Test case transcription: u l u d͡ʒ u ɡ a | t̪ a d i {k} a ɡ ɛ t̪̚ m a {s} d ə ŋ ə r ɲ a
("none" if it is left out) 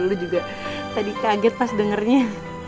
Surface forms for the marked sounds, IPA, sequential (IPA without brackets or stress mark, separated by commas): k, s